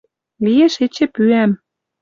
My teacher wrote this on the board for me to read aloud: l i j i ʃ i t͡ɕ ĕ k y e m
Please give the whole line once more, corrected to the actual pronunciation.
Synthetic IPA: l i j e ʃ e t͡ɕ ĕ p y æ m